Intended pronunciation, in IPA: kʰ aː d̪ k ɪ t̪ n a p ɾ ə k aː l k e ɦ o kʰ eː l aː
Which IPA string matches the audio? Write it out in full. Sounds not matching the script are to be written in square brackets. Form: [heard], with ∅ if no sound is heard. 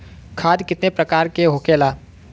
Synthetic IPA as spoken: kʰ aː d̪ k ɪ t̪ n [e] p ɾ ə k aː [ɾ] k e ɦ o [k] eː l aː